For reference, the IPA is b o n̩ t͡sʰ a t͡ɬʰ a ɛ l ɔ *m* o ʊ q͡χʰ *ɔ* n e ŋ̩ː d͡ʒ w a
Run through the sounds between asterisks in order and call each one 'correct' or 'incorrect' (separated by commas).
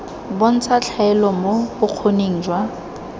correct, incorrect